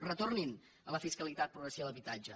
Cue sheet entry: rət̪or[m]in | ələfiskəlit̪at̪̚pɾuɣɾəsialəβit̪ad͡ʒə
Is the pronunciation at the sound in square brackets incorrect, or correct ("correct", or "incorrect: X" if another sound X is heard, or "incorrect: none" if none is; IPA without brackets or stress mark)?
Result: incorrect: n